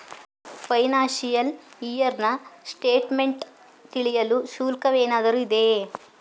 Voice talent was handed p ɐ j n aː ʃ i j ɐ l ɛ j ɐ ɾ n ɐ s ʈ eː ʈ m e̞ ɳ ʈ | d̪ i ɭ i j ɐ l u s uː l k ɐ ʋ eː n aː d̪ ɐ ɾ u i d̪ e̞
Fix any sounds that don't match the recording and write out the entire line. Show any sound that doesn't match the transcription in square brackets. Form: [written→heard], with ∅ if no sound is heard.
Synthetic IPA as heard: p ɐ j n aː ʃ i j ɐ l [ɛ→i] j ɐ ɾ n ɐ s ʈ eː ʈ m e̞ ɳ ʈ | [d̪→t̪] i ɭ i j ɐ l u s uː l k ɐ ʋ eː n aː d̪ ɐ ɾ u i d̪ e̞